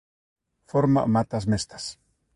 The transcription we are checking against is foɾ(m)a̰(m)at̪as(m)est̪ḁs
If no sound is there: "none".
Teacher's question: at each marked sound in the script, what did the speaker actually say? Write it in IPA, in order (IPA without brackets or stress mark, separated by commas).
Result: m, m, m